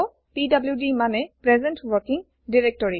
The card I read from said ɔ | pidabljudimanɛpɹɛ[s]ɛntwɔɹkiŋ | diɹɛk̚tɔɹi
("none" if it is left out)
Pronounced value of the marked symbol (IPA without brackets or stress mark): z